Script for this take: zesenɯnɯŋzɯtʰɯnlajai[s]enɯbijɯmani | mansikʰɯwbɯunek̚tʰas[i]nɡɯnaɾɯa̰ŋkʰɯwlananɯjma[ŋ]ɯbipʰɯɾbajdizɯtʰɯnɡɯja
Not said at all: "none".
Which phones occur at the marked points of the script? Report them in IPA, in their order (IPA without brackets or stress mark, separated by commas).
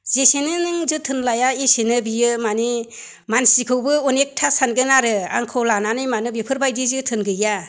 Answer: s, a, n